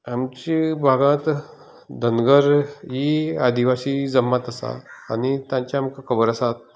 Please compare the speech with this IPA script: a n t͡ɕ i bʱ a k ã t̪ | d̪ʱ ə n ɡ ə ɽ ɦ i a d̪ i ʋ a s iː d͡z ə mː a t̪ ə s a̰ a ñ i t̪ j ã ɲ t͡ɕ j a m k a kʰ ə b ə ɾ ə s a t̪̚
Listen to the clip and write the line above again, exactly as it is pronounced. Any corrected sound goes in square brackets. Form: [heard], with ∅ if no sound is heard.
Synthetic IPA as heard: a [m] t͡ɕ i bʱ a [ɡ] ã t̪ | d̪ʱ ə n ɡ ə [ɾ] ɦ i a d̪ i ʋ a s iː d͡z ə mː a t̪ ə s a̰ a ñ i t̪ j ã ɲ t͡ɕ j a m k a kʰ ə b ə ɾ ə s a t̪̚